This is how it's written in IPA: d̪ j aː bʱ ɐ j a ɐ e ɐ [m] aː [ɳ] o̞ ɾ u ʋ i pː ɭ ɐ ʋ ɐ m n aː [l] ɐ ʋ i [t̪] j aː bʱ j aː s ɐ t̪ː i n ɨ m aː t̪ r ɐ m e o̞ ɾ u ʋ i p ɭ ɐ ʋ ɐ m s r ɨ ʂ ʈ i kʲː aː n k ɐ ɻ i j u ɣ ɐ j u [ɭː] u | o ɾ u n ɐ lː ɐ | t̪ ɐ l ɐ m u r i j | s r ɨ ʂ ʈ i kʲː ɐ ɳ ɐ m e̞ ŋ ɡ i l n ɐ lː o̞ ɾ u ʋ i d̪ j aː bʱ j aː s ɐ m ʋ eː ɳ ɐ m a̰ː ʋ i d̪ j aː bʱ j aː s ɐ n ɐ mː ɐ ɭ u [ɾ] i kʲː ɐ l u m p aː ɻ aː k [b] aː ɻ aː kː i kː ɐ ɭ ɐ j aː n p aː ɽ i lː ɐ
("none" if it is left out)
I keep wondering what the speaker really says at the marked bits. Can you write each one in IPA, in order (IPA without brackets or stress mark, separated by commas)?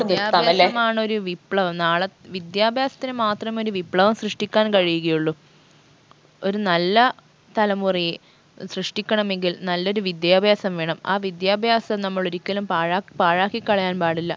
m, ɳ, ɭ, d̪, ɭː, ɾ, p